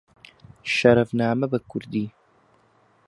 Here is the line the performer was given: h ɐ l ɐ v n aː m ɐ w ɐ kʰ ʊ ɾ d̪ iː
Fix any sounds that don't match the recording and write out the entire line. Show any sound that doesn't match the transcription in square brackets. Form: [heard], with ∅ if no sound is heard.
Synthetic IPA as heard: [ʃ] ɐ [ɾ] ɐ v n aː m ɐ [b] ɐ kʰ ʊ ɾ d̪ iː